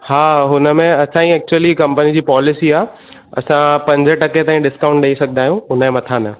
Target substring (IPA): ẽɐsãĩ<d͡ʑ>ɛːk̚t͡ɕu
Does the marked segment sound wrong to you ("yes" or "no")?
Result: yes